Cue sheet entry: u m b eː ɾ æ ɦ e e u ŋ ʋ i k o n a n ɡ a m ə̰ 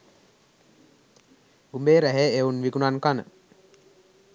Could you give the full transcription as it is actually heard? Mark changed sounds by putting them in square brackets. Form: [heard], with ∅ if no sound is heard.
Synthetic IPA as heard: u m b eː ɾ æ ɦ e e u [n] ʋ i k [u] n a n [k] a [n] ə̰